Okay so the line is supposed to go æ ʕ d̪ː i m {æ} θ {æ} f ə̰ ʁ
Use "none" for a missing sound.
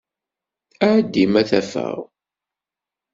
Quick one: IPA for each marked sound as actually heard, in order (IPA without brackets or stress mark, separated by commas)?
æ, æ